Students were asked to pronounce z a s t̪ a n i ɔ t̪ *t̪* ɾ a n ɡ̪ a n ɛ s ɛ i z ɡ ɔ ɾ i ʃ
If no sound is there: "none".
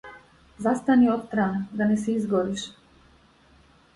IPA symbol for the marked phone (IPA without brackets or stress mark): t̪